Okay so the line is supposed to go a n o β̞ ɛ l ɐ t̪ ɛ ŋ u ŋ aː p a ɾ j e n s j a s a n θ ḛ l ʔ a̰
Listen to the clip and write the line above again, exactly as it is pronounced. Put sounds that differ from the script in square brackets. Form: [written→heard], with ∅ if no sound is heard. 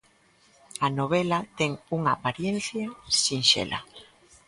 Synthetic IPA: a n o β̞ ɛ l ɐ t̪ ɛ ŋ u ŋ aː p a ɾ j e n [s→θ] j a s [a→i] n [θ→ʃ] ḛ l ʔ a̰

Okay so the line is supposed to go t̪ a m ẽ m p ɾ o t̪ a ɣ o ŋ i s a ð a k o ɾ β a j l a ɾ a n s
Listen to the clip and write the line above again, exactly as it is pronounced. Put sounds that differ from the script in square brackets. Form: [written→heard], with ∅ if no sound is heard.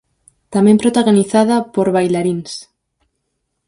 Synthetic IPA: t̪ a m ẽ m p ɾ o t̪ a ɣ o [ŋ→n] i [s→θ] a ð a [k→p] o ɾ β a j l a ɾ [a→i] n s

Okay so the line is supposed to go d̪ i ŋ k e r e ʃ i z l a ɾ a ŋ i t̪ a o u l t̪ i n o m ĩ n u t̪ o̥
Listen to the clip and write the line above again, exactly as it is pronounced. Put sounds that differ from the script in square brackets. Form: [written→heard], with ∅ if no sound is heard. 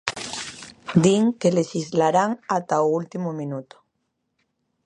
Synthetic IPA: d̪ i ŋ k e [r→l] e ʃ i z l a ɾ a ŋ [i→a] t̪ a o u l t̪ i [n→m] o m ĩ n u t̪ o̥

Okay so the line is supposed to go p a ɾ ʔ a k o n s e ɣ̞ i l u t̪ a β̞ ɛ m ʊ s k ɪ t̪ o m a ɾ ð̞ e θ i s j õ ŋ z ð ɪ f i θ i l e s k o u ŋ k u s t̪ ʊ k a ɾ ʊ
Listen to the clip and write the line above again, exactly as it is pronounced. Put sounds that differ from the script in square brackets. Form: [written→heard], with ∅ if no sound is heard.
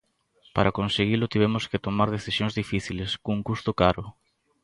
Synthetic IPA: p a ɾ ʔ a k o n s e ɣ̞ i l [u→ʊ] t̪ [a→i] β̞ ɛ m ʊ s k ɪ t̪ o m a ɾ ð̞ e θ i s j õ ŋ z ð [ɪ→i] f i θ i l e s k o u ŋ k u s t̪ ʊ k a ɾ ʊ

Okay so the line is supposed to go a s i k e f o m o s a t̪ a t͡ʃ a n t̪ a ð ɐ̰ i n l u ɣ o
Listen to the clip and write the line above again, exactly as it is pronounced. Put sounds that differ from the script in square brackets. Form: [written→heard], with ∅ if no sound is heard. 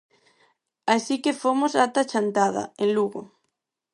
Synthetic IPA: a s i k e f o m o s a t̪ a t͡ʃ a n t̪ a ð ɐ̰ [i→e] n l u ɣ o

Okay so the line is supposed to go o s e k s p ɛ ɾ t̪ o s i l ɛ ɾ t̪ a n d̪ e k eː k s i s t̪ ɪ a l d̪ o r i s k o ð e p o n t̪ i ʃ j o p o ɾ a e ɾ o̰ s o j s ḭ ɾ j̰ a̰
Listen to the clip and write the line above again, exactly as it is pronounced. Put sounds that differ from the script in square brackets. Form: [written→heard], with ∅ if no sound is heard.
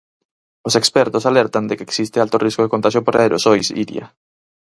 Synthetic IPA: o s e k s p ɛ ɾ t̪ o s [i→a] l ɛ ɾ t̪ a n d̪ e k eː k s i s t̪ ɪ a l [d̪→t̪] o r i s k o ð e [p→k] o n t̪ [i→a] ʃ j o p o ɾ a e ɾ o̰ s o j s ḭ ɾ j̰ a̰

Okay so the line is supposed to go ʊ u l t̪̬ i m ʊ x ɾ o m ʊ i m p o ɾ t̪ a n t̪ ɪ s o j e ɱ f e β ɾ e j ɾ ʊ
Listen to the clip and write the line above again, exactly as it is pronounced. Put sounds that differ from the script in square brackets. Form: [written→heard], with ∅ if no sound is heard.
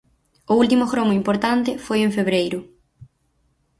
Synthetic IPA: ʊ u l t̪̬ i m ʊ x ɾ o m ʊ i m p o ɾ t̪ a n t̪ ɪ [s→f] o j e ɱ f e β ɾ e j ɾ ʊ

